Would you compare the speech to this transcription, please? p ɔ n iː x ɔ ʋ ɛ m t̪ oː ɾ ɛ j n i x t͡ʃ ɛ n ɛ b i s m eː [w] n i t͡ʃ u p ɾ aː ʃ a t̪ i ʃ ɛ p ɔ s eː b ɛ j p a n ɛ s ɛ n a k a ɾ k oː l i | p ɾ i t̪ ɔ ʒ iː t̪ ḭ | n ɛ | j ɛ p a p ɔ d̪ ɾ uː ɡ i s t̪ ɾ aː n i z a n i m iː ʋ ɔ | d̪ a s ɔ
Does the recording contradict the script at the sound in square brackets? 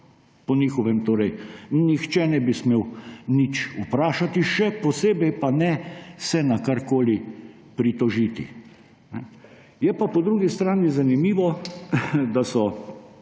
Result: no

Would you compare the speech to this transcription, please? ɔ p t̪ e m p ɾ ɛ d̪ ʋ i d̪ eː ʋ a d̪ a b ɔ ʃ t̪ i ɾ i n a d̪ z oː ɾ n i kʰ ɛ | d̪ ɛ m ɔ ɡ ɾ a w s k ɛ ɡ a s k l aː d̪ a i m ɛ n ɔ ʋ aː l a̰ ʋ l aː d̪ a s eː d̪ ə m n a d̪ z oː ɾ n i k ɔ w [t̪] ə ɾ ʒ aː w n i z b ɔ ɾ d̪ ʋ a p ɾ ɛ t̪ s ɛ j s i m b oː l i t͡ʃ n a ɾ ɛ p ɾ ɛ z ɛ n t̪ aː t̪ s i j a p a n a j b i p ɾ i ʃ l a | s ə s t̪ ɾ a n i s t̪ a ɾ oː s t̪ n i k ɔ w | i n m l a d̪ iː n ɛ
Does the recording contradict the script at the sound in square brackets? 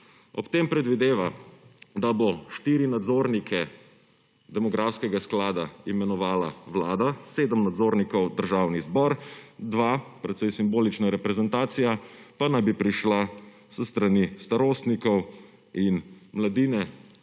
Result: yes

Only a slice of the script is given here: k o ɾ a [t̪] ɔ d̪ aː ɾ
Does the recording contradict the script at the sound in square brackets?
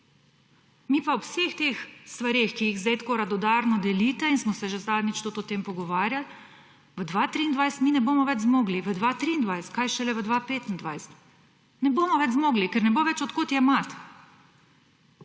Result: yes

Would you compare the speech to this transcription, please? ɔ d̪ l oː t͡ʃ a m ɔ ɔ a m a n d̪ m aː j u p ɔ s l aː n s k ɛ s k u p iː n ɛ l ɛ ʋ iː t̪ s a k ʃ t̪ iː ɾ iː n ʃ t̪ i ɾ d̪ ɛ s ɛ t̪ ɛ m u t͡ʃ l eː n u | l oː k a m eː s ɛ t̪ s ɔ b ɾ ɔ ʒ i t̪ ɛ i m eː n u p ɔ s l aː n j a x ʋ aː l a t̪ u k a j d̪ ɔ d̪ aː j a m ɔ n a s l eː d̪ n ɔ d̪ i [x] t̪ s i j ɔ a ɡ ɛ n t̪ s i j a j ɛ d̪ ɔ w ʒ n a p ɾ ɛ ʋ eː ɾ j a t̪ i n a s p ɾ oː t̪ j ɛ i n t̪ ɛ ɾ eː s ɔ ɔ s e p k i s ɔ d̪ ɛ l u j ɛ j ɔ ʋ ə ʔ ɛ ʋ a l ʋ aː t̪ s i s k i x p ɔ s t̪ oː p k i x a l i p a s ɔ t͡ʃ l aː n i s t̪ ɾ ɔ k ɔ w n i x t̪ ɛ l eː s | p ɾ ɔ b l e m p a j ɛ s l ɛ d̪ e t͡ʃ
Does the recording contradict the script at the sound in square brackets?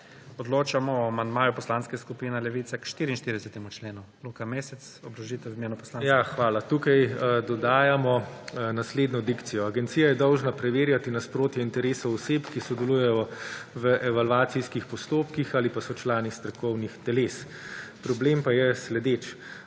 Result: yes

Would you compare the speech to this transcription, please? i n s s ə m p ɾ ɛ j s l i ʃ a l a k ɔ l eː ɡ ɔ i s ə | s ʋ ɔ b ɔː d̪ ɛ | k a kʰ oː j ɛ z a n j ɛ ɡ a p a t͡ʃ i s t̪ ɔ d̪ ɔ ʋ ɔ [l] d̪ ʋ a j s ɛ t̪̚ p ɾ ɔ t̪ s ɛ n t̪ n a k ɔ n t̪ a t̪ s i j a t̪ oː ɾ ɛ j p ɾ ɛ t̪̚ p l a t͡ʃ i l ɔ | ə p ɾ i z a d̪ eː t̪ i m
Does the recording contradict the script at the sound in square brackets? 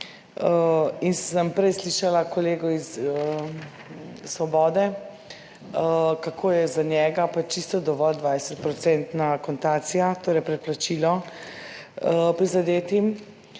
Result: no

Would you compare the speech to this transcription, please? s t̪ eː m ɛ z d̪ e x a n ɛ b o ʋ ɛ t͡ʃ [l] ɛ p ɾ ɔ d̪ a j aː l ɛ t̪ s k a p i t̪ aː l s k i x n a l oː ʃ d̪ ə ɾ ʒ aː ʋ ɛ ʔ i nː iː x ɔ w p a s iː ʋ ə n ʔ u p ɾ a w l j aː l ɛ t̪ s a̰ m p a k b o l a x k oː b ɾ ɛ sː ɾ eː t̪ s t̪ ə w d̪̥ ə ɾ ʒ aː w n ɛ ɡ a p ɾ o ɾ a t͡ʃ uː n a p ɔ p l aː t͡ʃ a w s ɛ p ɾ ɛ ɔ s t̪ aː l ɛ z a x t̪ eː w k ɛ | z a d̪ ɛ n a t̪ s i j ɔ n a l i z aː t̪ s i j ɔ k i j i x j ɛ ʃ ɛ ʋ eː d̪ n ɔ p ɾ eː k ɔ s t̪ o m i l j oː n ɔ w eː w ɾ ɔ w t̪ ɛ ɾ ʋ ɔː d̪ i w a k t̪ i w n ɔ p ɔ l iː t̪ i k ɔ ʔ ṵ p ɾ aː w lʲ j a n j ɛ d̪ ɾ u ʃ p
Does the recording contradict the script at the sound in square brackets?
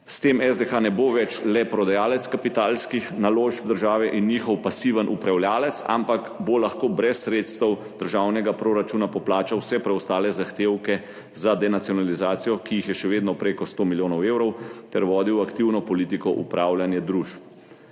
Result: no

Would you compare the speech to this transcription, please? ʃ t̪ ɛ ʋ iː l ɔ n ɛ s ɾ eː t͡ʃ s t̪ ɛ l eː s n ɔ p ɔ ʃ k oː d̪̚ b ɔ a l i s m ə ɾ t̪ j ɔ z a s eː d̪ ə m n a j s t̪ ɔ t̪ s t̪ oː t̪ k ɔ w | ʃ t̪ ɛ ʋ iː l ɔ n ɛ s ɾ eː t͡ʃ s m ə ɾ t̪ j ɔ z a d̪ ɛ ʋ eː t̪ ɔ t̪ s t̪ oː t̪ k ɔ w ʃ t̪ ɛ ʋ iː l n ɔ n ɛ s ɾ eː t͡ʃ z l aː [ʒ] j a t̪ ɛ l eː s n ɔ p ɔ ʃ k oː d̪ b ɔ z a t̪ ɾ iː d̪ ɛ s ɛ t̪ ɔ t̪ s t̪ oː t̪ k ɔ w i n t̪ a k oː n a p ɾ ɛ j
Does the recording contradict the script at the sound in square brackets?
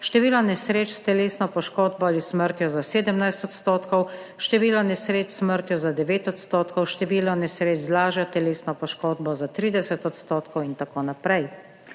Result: no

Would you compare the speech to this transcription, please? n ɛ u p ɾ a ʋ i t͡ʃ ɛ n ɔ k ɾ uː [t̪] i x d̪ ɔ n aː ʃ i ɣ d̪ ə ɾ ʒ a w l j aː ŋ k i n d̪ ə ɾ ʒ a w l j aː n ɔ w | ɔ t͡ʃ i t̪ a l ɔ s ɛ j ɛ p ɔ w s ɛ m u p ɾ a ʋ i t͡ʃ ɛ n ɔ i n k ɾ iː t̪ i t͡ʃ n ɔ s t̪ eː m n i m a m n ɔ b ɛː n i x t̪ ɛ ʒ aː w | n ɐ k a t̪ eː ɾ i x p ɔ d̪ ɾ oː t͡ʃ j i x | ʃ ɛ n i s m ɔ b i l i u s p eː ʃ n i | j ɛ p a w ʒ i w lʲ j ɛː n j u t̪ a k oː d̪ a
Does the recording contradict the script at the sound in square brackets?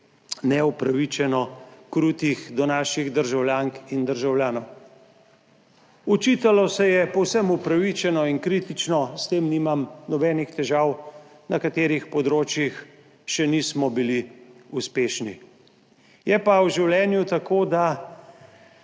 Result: no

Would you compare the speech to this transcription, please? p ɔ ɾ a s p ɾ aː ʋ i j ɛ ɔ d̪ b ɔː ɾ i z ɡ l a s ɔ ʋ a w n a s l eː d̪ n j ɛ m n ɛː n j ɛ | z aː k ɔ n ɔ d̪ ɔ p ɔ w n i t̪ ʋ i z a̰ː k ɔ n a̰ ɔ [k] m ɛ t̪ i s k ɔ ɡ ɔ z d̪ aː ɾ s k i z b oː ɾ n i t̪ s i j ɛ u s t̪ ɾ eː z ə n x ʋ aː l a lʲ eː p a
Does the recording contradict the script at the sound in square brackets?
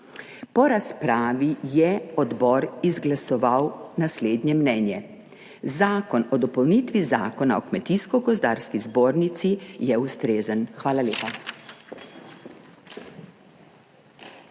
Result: no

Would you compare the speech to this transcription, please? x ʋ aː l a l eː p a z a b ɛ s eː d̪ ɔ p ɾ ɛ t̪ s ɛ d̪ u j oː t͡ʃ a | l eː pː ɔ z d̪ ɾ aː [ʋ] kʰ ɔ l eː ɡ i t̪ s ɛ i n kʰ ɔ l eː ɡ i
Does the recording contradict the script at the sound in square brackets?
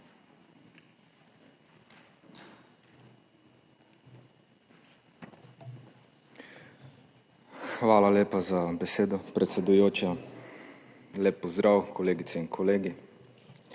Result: yes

